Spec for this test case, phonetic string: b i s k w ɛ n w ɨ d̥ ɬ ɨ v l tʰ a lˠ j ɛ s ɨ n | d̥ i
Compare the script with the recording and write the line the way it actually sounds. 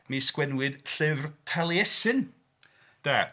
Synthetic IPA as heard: m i s k w ɛ n w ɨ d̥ ɬ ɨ v r tʰ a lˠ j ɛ s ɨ n | d̥ a